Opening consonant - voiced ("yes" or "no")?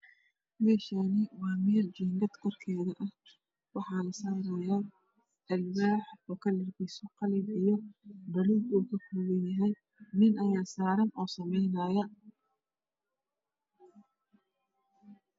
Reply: yes